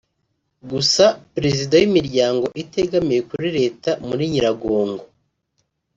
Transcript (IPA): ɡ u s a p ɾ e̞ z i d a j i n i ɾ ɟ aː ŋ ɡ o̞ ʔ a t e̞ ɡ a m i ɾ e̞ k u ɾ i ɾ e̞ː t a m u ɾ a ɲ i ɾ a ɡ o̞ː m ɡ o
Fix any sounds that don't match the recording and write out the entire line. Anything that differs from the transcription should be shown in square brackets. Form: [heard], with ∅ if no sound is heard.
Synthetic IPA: ɡ u s a p ɾ e̞ z i d a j i [m] i ɾ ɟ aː ŋ ɡ o̞ ʔ [i] t e̞ ɡ a m i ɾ e̞ k u ɾ i ɾ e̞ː t a m u ɾ [i] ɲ i ɾ a ɡ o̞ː [ŋ] ɡ o